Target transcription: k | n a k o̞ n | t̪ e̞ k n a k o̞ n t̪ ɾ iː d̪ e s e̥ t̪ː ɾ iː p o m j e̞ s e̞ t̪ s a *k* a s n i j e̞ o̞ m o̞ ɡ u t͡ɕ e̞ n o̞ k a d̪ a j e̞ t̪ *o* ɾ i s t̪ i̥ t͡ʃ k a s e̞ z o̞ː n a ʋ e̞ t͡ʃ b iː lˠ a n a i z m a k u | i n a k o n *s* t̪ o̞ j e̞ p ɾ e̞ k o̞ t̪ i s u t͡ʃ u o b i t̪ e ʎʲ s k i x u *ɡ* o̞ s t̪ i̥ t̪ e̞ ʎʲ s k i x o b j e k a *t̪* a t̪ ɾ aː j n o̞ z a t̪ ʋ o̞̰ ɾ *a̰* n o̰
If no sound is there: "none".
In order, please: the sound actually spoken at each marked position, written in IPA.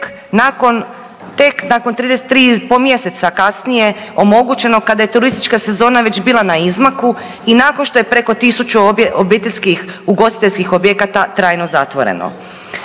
k, u, ʃ, ɡ, t̪, ḛ

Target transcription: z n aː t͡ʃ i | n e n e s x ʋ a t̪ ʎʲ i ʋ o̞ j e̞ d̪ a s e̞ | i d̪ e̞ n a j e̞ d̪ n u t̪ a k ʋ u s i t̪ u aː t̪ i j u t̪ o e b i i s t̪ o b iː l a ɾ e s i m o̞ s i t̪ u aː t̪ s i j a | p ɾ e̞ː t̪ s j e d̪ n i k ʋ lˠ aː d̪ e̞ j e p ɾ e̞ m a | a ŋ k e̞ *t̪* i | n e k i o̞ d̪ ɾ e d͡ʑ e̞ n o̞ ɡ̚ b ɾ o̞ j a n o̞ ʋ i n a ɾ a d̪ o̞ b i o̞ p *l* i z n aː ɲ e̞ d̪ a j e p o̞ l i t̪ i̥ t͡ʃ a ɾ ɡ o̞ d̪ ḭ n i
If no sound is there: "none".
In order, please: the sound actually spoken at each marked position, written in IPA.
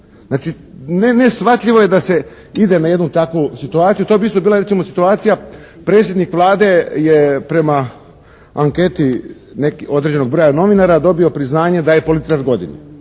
t̪, ɾ

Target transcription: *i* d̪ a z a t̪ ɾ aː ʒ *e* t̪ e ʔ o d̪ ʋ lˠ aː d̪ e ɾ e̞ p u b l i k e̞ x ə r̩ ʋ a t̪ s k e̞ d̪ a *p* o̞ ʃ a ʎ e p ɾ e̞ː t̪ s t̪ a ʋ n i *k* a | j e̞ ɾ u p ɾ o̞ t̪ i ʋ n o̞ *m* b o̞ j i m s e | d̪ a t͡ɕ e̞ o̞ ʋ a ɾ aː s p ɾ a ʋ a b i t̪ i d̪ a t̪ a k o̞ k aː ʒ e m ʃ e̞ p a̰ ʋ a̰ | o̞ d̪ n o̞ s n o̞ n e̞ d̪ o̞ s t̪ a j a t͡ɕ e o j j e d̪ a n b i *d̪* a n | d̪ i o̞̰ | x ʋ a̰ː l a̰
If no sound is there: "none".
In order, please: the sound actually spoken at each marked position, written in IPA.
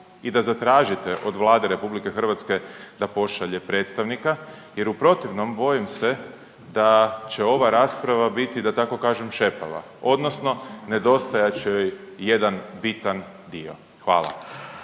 i, i, p, k, m, t̪

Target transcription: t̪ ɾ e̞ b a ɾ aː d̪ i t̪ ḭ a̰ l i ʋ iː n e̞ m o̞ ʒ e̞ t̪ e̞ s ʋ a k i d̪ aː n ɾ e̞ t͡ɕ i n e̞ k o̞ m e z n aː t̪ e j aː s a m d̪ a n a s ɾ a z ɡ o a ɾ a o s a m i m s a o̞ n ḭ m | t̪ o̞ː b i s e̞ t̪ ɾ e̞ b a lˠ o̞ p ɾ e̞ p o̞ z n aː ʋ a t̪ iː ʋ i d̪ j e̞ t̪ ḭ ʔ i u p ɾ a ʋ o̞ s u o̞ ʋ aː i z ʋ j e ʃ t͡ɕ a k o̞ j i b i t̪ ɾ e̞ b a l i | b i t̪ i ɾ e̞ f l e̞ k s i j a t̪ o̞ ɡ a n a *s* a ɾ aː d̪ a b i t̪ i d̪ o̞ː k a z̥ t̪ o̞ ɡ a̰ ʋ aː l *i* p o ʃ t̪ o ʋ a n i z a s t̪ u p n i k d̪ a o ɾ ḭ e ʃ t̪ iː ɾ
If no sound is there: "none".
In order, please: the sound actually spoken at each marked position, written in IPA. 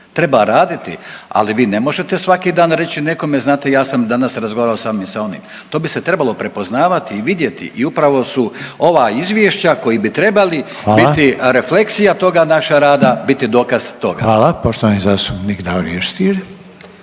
ʃ, a

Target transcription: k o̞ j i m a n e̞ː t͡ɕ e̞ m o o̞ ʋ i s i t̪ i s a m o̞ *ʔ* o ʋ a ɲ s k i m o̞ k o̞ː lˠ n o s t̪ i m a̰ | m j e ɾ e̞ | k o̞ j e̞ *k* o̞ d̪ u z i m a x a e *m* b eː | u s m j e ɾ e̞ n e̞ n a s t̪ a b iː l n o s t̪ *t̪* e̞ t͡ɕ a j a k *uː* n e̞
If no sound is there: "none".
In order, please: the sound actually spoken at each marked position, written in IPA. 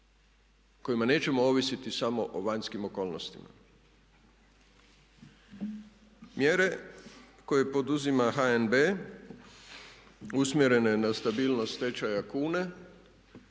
ʔ, p, n, t̪, uː

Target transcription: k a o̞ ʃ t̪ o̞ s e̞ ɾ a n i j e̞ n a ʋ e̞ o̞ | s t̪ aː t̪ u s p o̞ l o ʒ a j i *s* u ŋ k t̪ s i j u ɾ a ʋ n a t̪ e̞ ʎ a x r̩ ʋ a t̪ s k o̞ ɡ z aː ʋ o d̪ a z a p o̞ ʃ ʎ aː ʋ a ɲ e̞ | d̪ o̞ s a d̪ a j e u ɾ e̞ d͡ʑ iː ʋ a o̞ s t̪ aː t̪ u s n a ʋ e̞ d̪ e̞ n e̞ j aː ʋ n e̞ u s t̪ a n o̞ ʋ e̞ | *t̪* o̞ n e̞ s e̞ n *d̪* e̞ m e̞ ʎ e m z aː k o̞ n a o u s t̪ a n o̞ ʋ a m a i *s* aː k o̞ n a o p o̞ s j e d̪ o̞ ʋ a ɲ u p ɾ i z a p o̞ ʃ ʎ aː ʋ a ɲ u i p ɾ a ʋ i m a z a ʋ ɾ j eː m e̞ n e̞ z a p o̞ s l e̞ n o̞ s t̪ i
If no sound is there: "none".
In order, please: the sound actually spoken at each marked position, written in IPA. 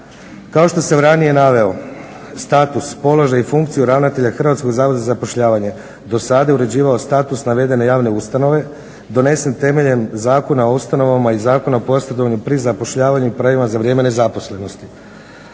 f, d̪, t̪, z

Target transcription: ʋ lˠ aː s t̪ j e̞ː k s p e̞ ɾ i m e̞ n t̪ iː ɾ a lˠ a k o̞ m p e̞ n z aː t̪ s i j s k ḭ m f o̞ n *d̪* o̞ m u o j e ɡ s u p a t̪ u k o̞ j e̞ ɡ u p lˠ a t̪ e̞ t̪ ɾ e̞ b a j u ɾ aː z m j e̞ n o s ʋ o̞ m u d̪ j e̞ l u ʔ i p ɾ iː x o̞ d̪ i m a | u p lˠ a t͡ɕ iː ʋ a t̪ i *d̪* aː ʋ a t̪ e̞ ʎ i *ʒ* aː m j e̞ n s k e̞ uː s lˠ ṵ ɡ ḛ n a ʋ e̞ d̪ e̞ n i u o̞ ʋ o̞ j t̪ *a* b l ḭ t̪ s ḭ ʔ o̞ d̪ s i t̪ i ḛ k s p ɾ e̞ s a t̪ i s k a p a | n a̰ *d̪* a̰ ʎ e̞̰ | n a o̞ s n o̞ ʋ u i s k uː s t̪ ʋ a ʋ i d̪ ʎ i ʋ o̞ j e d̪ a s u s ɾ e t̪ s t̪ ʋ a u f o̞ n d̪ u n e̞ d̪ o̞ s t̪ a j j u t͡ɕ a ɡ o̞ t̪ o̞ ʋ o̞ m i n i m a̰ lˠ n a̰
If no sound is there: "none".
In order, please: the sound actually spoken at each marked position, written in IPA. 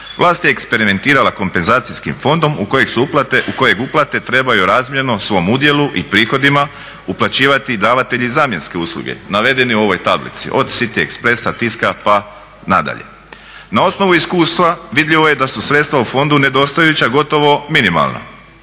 d̪, d̪, z, a, d̪

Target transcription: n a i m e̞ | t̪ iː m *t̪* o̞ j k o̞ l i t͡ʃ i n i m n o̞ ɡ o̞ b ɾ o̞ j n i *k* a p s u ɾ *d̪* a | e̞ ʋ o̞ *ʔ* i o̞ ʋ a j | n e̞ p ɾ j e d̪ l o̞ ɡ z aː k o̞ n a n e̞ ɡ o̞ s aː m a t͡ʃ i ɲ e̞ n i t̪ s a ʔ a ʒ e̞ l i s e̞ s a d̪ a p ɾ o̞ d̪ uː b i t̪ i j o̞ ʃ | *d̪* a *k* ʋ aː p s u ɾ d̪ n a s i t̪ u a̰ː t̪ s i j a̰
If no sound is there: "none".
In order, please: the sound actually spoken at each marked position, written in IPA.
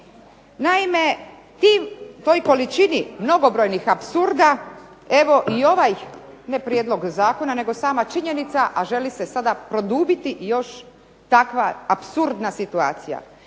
t̪, x, d̪, ʔ, t̪, k

